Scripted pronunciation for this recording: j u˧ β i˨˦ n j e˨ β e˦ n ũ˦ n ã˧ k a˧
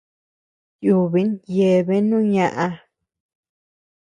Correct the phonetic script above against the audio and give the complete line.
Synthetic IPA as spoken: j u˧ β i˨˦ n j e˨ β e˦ n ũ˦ ɲ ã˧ ʔ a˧